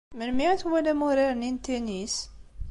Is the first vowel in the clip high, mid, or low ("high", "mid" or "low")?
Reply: mid